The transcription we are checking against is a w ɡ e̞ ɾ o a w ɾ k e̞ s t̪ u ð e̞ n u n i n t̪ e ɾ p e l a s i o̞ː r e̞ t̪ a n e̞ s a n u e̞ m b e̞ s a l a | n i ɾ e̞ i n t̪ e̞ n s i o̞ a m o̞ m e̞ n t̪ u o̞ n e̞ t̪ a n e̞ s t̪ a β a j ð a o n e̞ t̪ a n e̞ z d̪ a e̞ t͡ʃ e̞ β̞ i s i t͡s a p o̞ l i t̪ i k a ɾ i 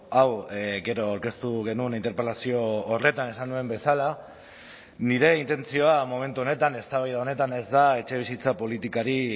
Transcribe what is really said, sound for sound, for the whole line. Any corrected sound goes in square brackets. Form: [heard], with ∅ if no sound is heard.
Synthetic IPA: a w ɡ e̞ ɾ o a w ɾ k e̞ s t̪ u [ɣ] e̞ n u n i n t̪ e ɾ p e l a s i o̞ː r e̞ t̪ a n e̞ s a n u e̞ m b e̞ s a l a | n i ɾ e̞ i n t̪ e̞ n [t͡s] i o̞ a m o̞ m e̞ n t̪ u o̞ n e̞ t̪ a n e̞ s t̪ a β a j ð a o n e̞ t̪ a n e̞ z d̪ a e̞ t͡ʃ e̞ β̞ i s i t͡s a p o̞ l i t̪ i k a ɾ i